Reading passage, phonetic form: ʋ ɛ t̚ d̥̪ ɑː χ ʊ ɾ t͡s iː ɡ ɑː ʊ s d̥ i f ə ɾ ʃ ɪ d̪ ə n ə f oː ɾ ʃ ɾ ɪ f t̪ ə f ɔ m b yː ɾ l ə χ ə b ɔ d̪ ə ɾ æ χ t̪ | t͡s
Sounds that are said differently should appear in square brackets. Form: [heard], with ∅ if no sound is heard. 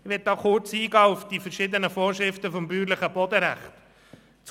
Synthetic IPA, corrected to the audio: ʋ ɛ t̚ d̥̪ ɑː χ ʊ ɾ t͡s iː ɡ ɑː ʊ [f] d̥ i f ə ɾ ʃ ɪ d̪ ə n ə f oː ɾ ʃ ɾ ɪ f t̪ ə f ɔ m b yː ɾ l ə χ ə b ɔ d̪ ə ɾ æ χ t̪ | t͡s